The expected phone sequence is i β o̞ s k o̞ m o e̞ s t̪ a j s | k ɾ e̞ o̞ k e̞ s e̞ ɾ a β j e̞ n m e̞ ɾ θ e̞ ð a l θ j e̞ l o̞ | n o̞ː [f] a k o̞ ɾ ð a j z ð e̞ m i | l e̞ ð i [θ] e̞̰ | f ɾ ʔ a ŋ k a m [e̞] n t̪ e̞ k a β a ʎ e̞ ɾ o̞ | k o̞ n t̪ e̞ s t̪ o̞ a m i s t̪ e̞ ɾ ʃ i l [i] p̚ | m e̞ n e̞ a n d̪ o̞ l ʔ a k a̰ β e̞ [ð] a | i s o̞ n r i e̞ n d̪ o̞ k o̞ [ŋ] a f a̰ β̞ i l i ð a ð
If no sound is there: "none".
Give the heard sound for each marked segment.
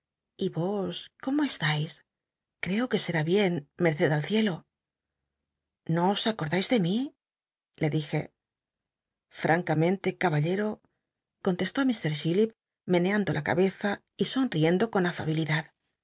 s, x, ẽ̞, i, θ, n

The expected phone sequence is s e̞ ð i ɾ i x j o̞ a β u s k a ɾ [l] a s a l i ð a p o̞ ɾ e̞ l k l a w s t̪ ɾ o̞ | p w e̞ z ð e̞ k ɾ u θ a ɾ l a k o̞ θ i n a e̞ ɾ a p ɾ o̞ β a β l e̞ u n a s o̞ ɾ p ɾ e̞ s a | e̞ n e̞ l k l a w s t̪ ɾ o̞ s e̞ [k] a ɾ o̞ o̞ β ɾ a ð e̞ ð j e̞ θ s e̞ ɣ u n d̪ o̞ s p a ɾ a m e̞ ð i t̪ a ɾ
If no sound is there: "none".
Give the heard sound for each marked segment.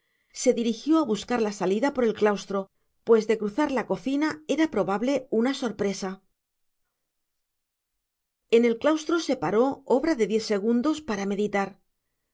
l, p

